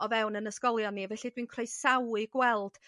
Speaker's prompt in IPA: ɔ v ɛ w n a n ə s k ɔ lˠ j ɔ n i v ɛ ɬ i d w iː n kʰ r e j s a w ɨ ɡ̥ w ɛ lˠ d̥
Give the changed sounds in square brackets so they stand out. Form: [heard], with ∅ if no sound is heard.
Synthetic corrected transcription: ɔ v ɛ w n [ə] n ə s k ɔ lˠ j ɔ n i v ɛ ɬ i d w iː n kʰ r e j s a w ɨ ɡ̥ w ɛ lˠ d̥